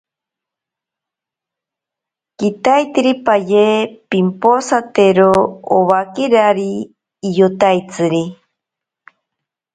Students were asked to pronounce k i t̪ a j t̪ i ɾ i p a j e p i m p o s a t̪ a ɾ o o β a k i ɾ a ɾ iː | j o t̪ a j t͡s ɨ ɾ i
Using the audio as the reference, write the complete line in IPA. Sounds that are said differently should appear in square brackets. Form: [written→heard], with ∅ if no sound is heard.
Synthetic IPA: k i t̪ a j t̪ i ɾ i p a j e p i m p o s a t̪ [a→e] ɾ o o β a k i ɾ a ɾ iː | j o t̪ a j t͡s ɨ ɾ i